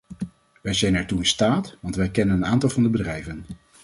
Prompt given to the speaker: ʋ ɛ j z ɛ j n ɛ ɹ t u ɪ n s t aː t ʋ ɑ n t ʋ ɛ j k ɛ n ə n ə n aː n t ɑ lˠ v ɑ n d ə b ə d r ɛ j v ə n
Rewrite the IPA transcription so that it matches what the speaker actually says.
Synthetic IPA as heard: ʋ ɛ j z ɛ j n ɛ ɹ t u ɪ n s t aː t ʋ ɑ n t ʋ ɛ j k ɛ n ə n ə n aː n t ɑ lˠ v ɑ n d ə b ə d r ɛ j v ə n